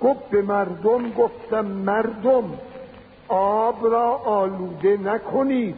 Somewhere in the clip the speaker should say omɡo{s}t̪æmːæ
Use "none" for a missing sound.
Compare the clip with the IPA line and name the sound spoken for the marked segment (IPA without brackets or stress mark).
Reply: f